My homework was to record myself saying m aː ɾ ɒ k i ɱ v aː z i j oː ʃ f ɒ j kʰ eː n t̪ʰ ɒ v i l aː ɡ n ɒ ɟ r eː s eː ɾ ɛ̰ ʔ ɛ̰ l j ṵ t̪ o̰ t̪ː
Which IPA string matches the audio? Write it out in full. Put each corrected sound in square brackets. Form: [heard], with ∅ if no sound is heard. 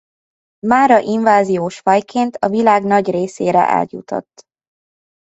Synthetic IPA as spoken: m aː ɾ ɒ [ʔ] i ɱ v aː z i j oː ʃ f ɒ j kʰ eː n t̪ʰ ɒ v i l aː ɡ n ɒ ɟ r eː s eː ɾ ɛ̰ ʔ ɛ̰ l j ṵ t̪ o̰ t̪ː